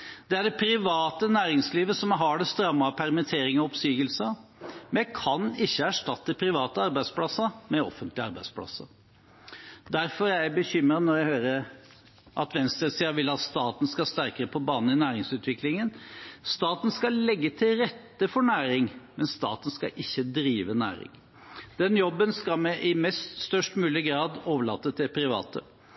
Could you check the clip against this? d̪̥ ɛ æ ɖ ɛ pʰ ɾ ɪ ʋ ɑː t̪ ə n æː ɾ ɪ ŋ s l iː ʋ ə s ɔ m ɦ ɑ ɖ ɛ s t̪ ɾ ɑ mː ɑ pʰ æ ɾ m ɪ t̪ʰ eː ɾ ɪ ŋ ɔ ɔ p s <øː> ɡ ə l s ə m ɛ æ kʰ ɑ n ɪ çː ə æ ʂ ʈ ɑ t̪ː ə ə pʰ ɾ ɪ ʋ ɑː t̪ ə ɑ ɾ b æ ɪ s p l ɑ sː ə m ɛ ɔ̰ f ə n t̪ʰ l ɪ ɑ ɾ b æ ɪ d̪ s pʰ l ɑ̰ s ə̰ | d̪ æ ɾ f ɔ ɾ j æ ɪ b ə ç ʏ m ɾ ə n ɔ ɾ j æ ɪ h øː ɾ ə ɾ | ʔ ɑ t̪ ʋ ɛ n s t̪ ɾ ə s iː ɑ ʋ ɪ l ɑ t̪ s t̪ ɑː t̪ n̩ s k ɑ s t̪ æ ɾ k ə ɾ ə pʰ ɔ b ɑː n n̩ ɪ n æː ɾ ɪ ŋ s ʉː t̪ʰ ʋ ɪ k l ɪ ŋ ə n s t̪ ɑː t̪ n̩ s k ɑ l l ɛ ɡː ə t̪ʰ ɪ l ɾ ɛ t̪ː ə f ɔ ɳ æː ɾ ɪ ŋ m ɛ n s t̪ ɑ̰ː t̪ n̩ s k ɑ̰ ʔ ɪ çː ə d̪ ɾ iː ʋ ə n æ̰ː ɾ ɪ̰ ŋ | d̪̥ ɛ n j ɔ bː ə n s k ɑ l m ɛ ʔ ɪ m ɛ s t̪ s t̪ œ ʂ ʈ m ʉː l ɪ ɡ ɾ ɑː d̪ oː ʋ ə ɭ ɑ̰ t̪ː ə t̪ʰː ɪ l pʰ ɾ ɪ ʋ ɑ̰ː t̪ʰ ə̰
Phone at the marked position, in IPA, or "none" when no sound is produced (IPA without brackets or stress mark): yː